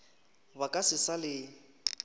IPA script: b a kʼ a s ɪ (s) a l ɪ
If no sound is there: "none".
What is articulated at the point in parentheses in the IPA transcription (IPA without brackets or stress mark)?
s